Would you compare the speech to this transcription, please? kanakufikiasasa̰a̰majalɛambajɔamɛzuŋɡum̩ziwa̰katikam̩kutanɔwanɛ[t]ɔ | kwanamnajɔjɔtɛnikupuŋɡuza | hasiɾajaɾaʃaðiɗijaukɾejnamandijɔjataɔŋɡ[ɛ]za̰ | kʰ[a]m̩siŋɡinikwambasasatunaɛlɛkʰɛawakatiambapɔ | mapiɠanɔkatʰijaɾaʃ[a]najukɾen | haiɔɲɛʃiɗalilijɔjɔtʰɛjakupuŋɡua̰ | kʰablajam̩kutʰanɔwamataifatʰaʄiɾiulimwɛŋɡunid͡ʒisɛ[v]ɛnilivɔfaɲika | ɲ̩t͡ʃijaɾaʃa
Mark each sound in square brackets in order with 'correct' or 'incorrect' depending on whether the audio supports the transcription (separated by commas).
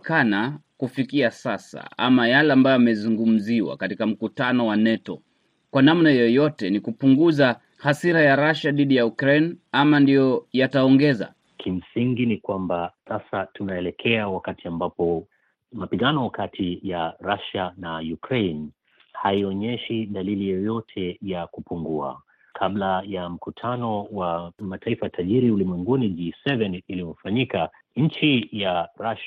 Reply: correct, correct, incorrect, correct, correct